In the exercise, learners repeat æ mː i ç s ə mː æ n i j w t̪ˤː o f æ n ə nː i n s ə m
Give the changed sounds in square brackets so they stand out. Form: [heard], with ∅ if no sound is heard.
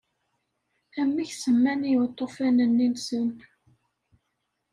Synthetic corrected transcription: æ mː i ç s ə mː æ n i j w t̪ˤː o f æ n ə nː i n s ə [n]